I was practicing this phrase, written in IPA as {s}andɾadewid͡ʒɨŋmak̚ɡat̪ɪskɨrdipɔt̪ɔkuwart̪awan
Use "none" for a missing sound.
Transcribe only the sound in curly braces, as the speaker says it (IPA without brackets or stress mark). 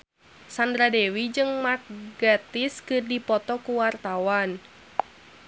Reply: s